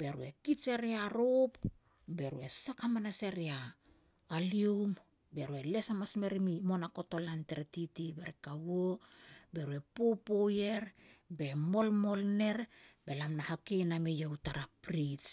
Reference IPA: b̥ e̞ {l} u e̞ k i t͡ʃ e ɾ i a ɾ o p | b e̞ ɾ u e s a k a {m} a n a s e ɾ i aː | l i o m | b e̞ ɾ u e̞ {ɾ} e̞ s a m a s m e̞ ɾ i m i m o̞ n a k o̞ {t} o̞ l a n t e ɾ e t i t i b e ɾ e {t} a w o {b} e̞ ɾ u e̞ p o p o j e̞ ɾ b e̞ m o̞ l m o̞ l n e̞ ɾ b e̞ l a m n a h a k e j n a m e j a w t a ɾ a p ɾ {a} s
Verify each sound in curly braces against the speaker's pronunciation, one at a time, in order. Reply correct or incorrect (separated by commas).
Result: incorrect, correct, incorrect, correct, incorrect, correct, incorrect